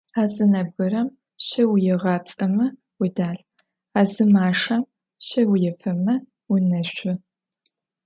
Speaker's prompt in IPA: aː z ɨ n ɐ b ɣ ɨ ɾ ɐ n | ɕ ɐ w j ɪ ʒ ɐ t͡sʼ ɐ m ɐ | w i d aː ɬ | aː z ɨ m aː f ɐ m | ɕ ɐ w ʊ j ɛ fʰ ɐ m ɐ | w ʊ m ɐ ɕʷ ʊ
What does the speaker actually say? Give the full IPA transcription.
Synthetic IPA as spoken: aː z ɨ n ɐ b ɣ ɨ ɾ ɐ m | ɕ ɐ w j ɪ ʁ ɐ t͡sʼ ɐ m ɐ | w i d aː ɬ | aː z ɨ m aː ʂ ɐ m | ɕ ɐ w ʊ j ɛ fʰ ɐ m ɐ | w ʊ n ɐ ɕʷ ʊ